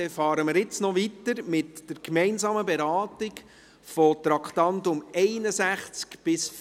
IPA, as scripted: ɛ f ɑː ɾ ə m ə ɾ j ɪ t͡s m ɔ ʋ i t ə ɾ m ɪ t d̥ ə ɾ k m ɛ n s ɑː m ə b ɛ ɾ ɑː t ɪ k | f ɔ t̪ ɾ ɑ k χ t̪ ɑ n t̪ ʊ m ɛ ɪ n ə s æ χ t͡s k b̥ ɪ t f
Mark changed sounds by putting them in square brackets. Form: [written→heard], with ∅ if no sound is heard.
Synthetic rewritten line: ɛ f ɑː ɾ ə m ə ɾ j ɪ t͡s [m→n] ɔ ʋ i t ə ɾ m ɪ t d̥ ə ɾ k m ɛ n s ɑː m ə b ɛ ɾ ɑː t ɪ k | f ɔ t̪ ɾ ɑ k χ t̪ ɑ n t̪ ʊ m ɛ ɪ n ə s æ χ t͡s k b̥ ɪ [t→s] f